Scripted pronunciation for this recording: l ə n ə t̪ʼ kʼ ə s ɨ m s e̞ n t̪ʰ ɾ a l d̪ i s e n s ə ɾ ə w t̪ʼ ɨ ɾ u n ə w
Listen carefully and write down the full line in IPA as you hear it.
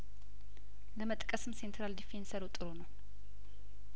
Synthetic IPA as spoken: l ə m ə t̪ʼ kʼ ə s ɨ m s e̞ n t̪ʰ ɾ a l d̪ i f e n s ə ɾ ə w t̪ʼ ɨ ɾ o n ə w